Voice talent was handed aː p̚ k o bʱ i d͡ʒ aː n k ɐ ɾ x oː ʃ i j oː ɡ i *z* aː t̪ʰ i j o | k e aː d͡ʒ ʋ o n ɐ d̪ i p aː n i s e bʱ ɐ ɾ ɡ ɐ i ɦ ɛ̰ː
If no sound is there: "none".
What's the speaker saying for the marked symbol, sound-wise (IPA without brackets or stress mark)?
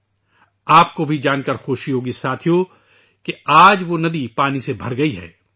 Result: s